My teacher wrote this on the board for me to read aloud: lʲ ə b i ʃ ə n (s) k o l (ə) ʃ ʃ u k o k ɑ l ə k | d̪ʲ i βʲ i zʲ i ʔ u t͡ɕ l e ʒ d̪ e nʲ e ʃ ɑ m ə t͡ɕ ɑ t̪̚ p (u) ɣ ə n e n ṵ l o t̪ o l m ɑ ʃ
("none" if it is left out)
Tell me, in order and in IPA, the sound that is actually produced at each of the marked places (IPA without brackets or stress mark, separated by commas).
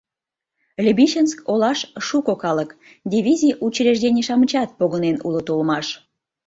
s, ɑ, o